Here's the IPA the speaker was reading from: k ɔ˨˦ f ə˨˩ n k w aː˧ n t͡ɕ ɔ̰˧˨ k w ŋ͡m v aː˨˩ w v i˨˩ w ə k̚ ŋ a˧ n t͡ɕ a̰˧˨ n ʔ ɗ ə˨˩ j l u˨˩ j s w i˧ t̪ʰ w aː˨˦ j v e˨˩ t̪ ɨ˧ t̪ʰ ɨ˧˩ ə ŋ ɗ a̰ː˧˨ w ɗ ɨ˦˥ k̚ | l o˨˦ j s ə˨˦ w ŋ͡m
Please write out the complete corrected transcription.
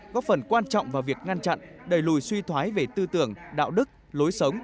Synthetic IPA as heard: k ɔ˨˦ f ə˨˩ n k w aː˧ n t͡ɕ ɔ̰˧˨ w ŋ͡m v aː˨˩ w v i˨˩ ə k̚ ŋ a˧ n t͡ɕ a̰˧˨ n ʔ ɗ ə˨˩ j l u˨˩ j s w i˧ t̪ʰ w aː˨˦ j v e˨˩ t̪ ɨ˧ t̪ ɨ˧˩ ə ŋ ɗ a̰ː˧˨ w ɗ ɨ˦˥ k̚ | l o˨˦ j s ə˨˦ w ŋ͡m